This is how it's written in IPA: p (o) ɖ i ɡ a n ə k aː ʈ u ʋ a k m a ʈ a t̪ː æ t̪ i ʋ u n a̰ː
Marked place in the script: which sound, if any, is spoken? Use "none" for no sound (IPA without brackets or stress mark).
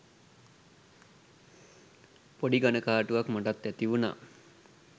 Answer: o